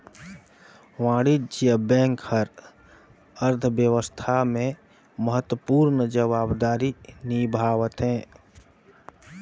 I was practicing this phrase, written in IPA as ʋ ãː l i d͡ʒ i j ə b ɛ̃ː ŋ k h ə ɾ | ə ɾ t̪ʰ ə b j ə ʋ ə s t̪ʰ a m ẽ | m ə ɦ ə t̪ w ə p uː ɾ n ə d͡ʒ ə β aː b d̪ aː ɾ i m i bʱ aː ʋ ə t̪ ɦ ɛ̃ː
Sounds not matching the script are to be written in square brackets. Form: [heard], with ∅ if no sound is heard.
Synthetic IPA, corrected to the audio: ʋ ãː [ɽ] i d͡ʒ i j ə b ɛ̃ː ŋ k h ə ɾ | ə ɾ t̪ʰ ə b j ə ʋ ə s t̪ʰ a m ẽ | m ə ɦ ə t̪ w ə p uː ɾ n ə d͡ʒ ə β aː b d̪ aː ɾ i [n] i bʱ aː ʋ ə t̪ ɦ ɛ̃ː